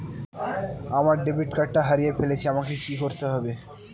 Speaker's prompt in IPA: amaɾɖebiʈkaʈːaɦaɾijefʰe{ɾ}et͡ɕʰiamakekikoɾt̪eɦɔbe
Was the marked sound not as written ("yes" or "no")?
yes